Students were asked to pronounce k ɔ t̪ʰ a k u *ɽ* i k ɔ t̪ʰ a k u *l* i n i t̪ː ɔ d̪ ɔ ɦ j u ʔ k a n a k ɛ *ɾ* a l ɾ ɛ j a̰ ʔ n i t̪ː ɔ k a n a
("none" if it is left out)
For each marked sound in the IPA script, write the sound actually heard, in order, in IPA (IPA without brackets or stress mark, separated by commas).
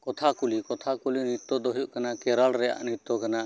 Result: l, l, ɾ